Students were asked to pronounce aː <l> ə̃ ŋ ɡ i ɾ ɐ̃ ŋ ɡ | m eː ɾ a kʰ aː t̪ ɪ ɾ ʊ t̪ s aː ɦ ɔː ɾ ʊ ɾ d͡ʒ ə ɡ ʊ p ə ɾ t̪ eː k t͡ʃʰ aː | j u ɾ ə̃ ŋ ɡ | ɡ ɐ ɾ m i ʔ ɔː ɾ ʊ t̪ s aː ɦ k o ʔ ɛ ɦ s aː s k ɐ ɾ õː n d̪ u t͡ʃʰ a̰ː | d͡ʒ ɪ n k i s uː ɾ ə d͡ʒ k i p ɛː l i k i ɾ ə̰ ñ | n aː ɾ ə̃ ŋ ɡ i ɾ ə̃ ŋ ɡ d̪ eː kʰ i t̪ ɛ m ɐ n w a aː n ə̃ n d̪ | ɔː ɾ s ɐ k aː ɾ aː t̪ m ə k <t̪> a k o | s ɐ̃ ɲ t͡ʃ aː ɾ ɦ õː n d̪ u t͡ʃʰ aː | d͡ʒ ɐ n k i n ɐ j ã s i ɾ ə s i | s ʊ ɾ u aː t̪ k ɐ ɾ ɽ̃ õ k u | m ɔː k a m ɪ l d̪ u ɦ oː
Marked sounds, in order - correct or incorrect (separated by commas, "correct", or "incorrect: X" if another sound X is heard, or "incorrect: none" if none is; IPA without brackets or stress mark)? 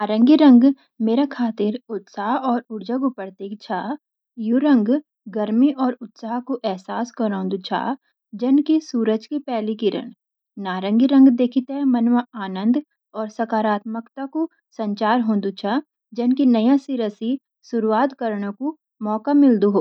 incorrect: ɾ, correct